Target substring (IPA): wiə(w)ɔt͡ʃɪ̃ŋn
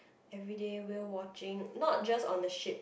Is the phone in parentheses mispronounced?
no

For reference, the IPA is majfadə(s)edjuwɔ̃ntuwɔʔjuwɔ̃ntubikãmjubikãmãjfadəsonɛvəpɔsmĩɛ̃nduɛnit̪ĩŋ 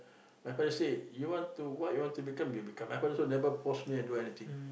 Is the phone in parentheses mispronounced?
no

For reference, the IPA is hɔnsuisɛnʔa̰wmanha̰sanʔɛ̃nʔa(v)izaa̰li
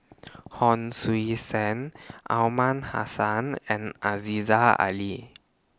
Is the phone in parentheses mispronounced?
yes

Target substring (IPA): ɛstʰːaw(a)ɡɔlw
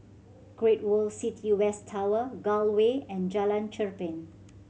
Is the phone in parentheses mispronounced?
yes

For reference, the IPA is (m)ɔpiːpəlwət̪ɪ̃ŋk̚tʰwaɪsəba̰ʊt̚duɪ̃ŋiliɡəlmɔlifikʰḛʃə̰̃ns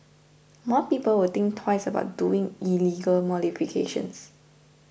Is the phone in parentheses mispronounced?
no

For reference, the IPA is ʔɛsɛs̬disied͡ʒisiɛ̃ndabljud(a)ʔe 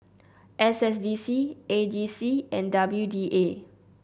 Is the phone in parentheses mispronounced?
yes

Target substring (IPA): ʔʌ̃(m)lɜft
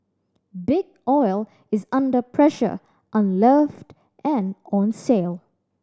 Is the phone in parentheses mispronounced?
yes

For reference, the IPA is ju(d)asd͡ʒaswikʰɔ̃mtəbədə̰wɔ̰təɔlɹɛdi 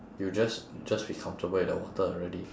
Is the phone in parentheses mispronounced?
yes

